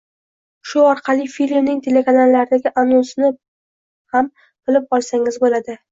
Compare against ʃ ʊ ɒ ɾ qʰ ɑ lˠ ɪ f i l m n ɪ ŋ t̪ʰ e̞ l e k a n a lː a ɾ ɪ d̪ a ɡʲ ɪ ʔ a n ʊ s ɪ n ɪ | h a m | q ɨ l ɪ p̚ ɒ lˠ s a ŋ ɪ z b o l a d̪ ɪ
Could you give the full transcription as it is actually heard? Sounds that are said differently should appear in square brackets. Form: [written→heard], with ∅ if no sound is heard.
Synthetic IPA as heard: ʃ ʊ ɒ ɾ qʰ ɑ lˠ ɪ f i l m n ɪ ŋ t̪ʰ e̞ l e k a n a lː a ɾ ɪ d̪ a ɡʲ ɪ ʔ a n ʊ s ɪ n ɪ | h a m | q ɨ l ɪ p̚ ɒ lˠ s a ŋ ɪ z b o l a d̪ ɪ